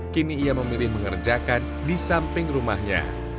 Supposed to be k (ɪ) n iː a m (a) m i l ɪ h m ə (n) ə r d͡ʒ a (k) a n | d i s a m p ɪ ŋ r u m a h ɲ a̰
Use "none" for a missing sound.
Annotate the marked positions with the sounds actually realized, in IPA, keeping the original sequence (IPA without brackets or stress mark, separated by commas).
i, ə, ŋ, k